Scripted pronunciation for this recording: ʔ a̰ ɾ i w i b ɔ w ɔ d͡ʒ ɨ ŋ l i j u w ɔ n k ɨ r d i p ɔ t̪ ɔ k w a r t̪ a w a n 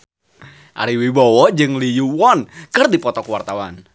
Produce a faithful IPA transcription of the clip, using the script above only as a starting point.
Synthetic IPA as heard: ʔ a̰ ɾ i w i b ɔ w ɔ d͡ʒ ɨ ŋ l i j u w ɔ n k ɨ r d i p ɔ t̪ ɔ k w a r t̪ a w a n